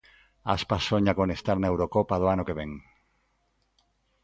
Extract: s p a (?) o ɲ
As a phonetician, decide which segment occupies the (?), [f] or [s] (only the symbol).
s